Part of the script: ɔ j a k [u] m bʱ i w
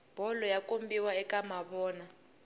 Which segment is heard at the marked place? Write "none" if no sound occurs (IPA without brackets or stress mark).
o